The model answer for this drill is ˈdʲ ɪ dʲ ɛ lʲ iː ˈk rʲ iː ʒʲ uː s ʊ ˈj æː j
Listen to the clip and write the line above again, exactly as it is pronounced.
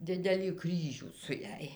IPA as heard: ˈdʲ ɪ dʲ ɛ lʲ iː ˈk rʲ iː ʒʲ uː s ʊ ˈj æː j